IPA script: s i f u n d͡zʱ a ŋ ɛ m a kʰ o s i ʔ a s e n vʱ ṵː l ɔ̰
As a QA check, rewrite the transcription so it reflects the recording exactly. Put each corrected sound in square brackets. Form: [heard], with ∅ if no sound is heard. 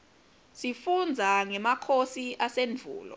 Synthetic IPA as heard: s i f u n d͡zʱ a ŋ ɛ m a kʰ o s i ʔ a s e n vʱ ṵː l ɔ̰